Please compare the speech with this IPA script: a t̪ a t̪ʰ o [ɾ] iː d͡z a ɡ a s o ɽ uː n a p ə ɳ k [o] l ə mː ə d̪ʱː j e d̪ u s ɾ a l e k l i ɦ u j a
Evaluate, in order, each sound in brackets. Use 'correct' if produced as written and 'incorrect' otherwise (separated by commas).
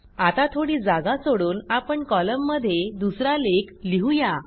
incorrect, incorrect